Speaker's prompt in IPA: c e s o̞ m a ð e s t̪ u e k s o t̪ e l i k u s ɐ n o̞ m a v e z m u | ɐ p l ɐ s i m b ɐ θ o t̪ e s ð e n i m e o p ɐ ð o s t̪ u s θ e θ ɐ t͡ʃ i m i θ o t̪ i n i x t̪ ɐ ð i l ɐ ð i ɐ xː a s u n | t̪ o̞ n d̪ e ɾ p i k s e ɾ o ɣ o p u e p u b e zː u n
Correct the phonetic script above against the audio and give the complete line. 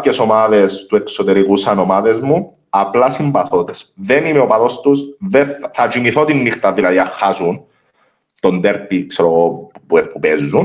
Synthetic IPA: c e s o̞ m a ð e s t̪ u e k s o t̪ e ɾ i k u s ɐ n o̞ m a ð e z m u | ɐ p l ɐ s i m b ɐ θ o t̪ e s ð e n i m e o p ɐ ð o s t̪ u s ð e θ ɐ t͡ʃ i m i θ o t̪ i nː i x t̪ ɐ ð i l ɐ ð i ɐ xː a s u n | t̪ o̞ n d̪ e ɾ p i k s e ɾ o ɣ o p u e p u p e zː u n